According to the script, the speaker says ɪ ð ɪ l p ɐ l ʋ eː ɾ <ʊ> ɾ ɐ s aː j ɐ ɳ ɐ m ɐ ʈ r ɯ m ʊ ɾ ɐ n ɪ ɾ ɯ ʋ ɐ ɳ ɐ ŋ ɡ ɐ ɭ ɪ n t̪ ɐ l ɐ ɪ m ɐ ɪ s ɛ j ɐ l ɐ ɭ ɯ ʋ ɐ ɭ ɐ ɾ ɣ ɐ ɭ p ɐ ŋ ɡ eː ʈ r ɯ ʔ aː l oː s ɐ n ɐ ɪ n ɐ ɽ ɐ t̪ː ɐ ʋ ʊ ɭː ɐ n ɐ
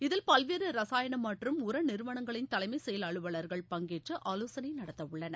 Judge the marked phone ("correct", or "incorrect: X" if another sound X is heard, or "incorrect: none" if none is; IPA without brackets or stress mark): incorrect: ɯ